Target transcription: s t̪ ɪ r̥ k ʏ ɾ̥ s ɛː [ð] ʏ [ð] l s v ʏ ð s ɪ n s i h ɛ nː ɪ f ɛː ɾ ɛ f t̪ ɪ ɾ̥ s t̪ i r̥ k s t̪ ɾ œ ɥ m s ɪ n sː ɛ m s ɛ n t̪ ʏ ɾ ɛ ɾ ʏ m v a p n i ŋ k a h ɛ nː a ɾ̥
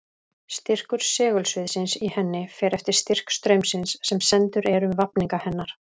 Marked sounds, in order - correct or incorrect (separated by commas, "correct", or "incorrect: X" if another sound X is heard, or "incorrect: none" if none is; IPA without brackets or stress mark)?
incorrect: ɣ, incorrect: none